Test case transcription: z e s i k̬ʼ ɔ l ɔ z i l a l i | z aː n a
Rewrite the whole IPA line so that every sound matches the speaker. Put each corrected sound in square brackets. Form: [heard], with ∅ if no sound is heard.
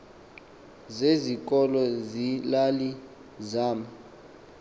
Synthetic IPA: z e [z] i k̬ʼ ɔ l ɔ z i l a l i | z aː [m] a

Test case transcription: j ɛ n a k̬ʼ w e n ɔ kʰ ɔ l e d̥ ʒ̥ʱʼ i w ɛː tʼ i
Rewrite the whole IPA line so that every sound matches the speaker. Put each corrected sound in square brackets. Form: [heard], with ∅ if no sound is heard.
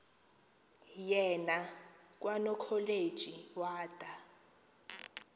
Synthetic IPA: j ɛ n a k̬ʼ w [a] n ɔ kʰ ɔ l e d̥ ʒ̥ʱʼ i w [aː] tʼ [a]

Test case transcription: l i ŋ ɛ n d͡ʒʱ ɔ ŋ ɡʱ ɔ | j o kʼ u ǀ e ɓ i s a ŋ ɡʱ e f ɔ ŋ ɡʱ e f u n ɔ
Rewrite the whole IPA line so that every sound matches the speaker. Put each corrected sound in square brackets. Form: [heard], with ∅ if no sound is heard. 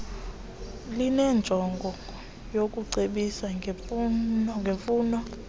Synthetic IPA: l i [n] ɛ n d͡ʒʱ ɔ ŋ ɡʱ ɔ | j o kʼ u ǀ e ɓ i s a ŋ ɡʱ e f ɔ ŋ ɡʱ e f [uː] n ɔ

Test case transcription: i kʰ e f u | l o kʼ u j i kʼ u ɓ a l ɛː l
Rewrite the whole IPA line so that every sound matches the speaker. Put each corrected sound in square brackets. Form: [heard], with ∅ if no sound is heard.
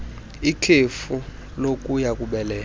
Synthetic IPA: i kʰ e f u | l o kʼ u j [a] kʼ u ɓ [ɛ] l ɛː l

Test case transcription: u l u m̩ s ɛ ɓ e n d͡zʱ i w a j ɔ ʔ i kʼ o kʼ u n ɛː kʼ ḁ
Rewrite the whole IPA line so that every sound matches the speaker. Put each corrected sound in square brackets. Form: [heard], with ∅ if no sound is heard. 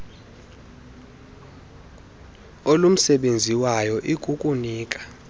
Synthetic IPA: [o] l u m̩ s ɛ ɓ e n d͡zʱ i w a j ɔ ʔ i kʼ [u] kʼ u n [iː] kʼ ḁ

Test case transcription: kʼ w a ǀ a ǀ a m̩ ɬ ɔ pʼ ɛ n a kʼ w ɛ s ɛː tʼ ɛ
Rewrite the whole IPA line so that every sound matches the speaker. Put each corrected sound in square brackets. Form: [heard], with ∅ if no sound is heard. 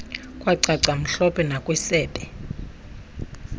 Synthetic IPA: kʼ w a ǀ a ǀ a m̩ ɬ ɔ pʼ ɛ n a kʼ w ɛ s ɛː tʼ ɛ

